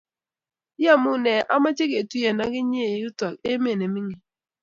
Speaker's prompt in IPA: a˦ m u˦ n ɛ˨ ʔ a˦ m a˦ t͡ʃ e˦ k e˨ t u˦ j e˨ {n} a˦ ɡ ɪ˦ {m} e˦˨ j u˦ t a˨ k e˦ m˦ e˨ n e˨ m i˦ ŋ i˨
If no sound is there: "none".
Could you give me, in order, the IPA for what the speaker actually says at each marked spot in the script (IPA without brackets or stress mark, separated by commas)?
n, ɲ